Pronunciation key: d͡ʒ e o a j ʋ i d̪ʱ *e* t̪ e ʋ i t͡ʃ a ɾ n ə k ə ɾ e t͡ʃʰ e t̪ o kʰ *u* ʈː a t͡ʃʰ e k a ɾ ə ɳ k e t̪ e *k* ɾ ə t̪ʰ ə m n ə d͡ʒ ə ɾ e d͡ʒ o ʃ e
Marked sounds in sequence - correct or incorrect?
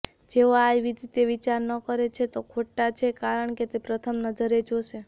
incorrect: i, incorrect: o, incorrect: p

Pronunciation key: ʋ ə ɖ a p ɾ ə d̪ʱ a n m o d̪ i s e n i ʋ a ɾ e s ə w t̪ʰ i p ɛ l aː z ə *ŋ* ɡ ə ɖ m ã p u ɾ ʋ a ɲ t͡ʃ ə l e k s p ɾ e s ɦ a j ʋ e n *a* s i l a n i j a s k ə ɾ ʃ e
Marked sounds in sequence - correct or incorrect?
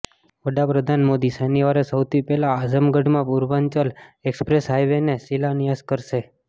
incorrect: m, incorrect: e

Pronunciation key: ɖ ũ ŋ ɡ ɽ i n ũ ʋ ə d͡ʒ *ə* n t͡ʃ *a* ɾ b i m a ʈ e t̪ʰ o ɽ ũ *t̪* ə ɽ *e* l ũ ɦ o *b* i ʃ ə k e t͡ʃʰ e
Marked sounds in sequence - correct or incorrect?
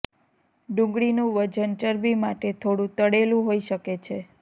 correct, incorrect: ə, correct, correct, incorrect: none

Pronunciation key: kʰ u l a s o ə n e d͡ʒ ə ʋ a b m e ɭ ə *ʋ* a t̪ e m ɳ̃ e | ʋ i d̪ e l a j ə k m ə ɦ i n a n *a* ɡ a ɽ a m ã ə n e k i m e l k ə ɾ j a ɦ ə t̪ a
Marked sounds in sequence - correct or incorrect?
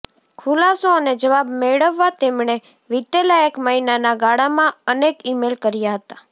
incorrect: ʋː, correct

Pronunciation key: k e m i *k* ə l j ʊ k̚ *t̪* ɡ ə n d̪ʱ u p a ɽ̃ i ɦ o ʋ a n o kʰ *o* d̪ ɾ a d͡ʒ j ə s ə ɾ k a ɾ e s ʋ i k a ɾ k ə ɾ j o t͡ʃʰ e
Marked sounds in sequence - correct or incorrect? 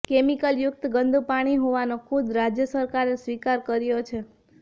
correct, correct, incorrect: u

